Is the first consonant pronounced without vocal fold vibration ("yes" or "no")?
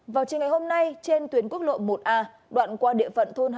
no